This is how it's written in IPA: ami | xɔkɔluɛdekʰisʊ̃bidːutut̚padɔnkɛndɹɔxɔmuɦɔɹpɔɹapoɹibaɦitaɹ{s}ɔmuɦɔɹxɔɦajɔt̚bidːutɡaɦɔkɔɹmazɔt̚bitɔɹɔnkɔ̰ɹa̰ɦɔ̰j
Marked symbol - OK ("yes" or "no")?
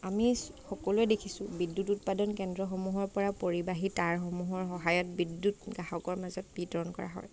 no